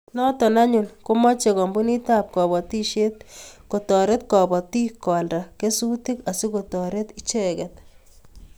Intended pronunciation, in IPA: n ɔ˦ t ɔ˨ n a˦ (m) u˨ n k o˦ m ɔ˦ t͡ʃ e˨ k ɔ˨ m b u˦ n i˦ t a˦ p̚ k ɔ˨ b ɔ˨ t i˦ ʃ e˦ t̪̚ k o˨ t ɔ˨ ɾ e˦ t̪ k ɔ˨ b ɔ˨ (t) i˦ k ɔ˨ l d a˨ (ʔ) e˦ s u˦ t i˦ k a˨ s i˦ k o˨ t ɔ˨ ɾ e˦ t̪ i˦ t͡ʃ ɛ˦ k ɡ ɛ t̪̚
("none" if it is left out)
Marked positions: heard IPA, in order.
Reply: ɲ, t, k

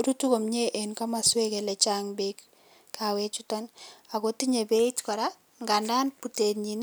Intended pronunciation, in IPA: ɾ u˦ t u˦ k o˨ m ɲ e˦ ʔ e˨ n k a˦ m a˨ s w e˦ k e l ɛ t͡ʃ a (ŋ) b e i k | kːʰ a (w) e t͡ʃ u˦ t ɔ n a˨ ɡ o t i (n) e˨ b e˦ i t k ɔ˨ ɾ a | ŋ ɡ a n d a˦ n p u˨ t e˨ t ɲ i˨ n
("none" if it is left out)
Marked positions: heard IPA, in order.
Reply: ŋ, w, ɲ

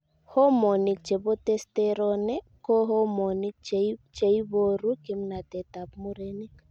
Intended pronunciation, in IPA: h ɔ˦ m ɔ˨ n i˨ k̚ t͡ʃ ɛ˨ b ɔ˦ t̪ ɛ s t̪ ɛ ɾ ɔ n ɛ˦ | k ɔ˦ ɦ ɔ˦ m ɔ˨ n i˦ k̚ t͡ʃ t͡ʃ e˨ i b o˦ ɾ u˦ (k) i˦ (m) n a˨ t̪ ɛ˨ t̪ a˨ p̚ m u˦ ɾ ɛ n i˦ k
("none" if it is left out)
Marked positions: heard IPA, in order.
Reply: k, m

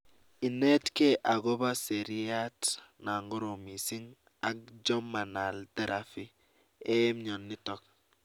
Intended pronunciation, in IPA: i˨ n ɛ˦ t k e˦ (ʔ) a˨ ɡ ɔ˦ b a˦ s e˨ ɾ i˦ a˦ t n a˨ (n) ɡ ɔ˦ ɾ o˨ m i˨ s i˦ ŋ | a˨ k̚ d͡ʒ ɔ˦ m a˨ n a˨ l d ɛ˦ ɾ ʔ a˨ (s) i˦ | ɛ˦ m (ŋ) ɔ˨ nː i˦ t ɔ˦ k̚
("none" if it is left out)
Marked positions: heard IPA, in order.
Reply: ʔ, ŋ, f, ɲ

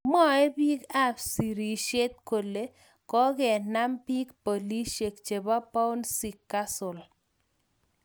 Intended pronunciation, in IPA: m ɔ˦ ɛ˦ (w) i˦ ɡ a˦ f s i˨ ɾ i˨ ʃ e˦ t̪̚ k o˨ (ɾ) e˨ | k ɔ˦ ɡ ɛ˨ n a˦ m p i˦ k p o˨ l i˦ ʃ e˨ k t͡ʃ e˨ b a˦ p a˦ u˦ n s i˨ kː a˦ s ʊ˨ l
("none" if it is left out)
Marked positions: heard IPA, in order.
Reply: b, l

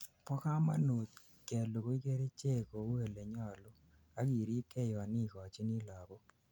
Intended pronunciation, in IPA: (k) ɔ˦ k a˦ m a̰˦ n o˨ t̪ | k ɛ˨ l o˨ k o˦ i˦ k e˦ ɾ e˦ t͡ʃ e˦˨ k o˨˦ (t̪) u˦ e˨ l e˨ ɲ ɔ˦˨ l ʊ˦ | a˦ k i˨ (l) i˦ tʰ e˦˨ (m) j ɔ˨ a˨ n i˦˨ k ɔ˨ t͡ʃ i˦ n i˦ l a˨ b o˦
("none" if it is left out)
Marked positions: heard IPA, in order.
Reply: p, none, ɾ, none

